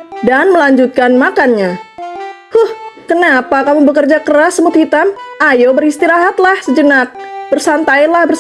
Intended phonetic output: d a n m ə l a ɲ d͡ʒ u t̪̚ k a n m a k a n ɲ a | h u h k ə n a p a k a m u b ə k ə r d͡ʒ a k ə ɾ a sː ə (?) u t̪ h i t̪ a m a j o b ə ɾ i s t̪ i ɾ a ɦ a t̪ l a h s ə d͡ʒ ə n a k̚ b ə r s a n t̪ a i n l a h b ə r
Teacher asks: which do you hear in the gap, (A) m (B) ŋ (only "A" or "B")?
A